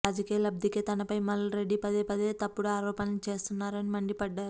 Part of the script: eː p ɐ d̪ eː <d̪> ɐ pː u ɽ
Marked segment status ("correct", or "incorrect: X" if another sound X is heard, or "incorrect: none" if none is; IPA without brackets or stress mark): incorrect: t̪